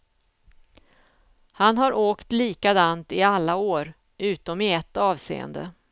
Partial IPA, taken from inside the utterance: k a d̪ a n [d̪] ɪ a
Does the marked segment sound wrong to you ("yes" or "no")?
yes